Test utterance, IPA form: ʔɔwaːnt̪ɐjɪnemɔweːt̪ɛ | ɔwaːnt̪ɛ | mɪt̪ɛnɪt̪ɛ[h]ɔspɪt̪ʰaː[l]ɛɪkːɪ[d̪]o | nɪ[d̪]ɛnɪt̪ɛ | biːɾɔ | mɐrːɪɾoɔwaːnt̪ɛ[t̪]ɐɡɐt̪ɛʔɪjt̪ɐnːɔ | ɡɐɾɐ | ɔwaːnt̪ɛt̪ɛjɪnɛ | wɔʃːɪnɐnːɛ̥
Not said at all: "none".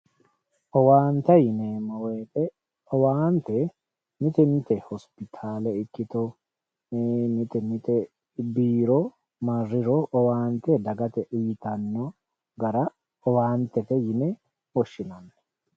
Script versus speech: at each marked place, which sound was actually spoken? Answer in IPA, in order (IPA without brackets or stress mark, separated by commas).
h, l, t̪, t̪, d̪